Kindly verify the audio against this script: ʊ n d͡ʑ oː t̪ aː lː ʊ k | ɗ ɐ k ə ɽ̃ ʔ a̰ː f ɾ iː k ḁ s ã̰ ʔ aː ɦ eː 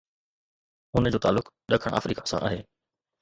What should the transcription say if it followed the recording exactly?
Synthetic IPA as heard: ʊ n d͡ʑ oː t̪ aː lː ʊ k | ɗ ɐ kʰ ə ɽ̃ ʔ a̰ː f ɾ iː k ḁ s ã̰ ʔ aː ɦ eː